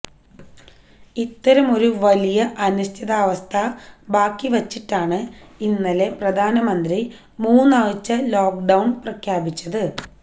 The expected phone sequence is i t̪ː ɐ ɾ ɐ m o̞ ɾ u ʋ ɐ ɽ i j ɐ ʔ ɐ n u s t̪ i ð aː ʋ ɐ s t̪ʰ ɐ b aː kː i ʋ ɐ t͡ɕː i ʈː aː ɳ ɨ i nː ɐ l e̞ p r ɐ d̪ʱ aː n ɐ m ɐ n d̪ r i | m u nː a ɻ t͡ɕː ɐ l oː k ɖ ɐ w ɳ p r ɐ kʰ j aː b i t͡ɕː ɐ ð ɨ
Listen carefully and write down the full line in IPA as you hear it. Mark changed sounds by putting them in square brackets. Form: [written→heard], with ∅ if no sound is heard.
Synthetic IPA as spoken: i t̪ː ɐ ɾ ɐ m o̞ ɾ u ʋ ɐ [ɽ→l] i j ɐ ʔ ɐ n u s [t̪→t̪ʰ] i ð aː ʋ ɐ s t̪ʰ ɐ b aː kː i ʋ ɐ t͡ɕː i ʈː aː ɳ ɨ i nː ɐ l e̞ p r ɐ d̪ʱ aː n ɐ m ɐ n d̪ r i | m [u→uː] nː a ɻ t͡ɕː ɐ l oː k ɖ ɐ w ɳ p r ɐ kʰ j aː b i t͡ɕː ɐ ð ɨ